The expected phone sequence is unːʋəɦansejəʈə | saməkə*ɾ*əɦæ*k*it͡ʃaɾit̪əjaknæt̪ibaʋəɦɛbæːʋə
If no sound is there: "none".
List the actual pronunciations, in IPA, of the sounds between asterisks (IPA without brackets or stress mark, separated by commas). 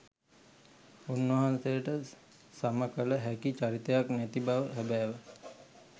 l, k